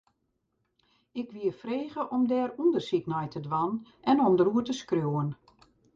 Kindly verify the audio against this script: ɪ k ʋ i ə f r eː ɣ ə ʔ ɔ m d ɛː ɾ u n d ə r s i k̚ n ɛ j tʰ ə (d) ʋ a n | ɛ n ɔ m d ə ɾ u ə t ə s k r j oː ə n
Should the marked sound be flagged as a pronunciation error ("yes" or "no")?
no